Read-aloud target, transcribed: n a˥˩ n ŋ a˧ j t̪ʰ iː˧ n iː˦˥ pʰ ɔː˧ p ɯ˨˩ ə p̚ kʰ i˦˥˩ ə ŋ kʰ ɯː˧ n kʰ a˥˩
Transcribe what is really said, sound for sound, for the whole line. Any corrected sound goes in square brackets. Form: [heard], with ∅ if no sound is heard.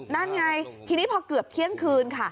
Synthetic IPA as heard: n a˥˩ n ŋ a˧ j t̪ʰ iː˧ n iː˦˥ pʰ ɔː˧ [k] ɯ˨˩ ə p̚ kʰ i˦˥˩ ə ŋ kʰ ɯː˧ n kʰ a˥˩